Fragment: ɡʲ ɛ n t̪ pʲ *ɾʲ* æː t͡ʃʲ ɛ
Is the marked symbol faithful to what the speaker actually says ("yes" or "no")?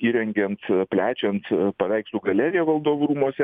no